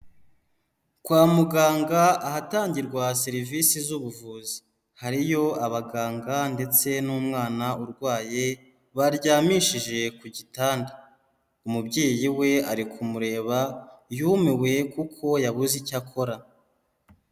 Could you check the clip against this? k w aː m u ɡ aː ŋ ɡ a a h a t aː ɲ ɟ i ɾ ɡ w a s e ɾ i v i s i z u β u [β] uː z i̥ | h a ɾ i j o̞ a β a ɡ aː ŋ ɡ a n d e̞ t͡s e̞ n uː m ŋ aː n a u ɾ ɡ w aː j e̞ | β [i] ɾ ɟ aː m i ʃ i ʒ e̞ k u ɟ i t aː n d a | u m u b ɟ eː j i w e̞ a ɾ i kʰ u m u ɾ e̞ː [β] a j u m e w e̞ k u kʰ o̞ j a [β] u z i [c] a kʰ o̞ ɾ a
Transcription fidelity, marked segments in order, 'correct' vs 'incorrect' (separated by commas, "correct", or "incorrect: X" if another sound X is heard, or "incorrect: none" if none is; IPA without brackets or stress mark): incorrect: v, incorrect: a, correct, correct, correct